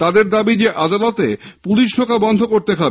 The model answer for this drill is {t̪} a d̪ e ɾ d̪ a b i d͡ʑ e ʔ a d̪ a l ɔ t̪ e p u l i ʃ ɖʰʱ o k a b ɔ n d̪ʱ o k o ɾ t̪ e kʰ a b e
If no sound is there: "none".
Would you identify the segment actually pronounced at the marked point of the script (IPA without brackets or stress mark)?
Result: t̪